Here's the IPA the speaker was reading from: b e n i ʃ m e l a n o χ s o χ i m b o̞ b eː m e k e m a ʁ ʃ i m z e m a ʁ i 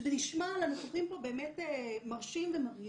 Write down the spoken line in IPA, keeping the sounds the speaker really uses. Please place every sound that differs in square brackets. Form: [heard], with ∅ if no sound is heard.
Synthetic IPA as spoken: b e n i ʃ m [a] l a n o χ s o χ i m [p] o̞ b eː m e [t] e m a ʁ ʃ i m [v] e m a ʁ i